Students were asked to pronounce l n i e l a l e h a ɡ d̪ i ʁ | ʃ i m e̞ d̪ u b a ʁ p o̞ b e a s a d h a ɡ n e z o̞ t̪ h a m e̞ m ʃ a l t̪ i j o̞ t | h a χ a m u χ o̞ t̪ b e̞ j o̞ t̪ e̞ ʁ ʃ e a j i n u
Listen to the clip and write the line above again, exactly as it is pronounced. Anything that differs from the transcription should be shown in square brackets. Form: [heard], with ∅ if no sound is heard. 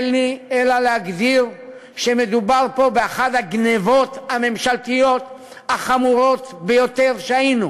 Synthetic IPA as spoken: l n i e l a l e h a ɡ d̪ i ʁ | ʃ [e] m e̞ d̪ u b a ʁ p o̞ b e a [χ] a d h a ɡ n e [v] o̞ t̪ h a m e̞ m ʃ a l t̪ i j o̞ t | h a χ a m u [ʁ] o̞ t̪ b e̞ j o̞ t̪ e̞ ʁ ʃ e a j i n u